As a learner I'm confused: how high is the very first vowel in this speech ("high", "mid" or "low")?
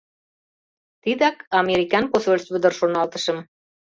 high